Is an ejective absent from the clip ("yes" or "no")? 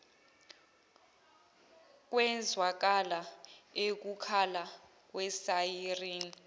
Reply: yes